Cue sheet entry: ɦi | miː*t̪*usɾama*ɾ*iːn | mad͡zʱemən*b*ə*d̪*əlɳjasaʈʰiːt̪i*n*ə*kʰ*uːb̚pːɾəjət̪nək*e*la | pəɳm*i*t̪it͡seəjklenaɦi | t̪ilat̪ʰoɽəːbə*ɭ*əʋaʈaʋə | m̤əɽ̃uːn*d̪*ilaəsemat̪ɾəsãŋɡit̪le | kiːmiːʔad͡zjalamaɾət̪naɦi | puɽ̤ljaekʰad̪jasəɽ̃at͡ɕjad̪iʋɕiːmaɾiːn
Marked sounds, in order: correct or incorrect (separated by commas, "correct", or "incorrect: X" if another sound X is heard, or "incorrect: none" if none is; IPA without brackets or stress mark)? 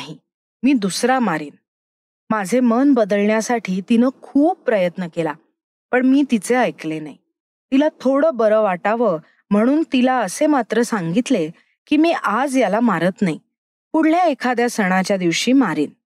incorrect: d̪, correct, correct, correct, correct, correct, correct, incorrect: iː, incorrect: ɾ, incorrect: t̪